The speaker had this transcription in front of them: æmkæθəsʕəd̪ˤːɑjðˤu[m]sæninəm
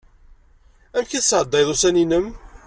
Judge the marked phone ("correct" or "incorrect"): incorrect